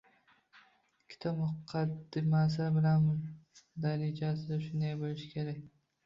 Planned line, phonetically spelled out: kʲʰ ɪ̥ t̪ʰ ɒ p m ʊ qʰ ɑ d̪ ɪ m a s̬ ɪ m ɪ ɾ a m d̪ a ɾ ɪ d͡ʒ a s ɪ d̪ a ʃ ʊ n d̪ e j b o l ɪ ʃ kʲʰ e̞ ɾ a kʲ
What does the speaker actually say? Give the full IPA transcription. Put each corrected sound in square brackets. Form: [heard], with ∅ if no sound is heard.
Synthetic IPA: kʲʰ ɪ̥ t̪ʰ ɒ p m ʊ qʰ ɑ d̪ ɪ m a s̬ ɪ [b] ɪ [l] a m d̪ a ɾ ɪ d͡ʒ a s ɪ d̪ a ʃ ʊ n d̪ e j b o l ɪ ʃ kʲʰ e̞ ɾ a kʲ